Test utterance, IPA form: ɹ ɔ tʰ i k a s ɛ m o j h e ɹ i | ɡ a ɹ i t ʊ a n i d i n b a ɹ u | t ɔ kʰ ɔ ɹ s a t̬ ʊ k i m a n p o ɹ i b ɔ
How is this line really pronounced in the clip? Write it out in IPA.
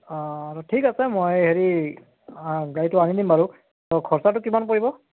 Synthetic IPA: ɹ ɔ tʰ i k a s ɛ m o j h e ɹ i | ɡ a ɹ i t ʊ a n i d i m b a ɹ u | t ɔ kʰ ɔ ɹ s a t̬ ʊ k i m a n p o ɹ i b ɔ